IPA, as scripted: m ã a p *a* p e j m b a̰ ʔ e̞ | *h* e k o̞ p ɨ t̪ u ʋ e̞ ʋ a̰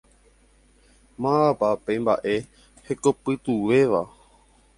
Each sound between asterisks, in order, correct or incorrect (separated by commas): correct, correct